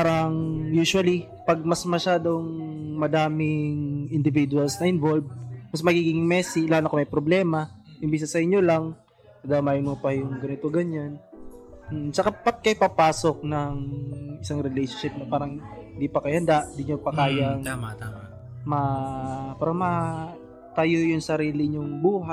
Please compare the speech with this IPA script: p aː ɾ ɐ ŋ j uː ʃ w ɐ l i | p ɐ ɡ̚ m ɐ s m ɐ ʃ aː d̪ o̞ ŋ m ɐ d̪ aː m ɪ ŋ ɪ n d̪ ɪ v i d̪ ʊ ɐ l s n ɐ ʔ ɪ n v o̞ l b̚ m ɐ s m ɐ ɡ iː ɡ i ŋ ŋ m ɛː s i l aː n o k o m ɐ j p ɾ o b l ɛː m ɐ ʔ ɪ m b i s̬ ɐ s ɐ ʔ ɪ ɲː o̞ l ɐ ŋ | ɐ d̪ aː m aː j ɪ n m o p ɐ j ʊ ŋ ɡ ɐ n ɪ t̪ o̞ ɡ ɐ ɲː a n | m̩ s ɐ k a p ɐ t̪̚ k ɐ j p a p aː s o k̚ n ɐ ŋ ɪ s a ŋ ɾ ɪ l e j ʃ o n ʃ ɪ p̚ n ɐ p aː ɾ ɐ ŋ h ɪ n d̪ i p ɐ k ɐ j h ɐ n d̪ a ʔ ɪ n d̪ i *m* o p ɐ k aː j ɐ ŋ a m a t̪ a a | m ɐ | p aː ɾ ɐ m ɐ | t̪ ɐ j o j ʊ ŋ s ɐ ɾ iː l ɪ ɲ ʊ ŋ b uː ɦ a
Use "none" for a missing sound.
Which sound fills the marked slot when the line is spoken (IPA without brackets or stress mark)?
ɲ